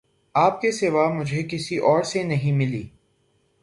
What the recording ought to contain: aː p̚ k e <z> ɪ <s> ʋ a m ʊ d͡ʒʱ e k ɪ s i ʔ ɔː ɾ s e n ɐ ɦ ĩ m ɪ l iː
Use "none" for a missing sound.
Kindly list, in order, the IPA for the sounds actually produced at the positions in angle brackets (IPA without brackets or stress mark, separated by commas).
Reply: s, none